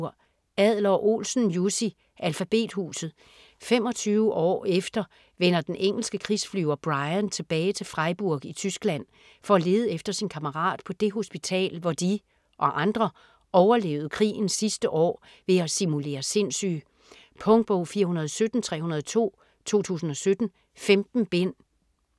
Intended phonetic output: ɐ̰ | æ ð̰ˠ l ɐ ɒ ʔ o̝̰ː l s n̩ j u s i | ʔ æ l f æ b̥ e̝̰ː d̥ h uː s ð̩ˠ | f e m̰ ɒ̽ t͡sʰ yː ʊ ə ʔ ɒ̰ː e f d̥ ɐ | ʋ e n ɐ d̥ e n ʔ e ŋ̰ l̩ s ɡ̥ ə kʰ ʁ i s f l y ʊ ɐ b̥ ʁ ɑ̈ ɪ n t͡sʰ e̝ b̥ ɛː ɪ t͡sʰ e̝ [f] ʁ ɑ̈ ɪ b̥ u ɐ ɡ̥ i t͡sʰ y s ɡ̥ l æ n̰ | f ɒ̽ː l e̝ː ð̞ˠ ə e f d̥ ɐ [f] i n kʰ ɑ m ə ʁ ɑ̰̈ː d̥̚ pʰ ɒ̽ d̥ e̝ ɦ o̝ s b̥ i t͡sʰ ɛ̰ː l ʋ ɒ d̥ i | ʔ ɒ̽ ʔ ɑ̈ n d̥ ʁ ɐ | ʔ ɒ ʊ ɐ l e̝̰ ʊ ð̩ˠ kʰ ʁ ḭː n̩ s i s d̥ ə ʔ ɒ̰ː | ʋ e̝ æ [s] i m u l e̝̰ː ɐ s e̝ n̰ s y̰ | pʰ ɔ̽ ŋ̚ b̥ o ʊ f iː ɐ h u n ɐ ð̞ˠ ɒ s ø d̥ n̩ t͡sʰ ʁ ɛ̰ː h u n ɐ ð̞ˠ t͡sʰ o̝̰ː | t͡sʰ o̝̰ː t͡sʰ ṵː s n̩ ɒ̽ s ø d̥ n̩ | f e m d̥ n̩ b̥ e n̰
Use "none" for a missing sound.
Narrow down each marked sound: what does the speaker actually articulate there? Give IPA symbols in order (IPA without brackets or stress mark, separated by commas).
f, s, s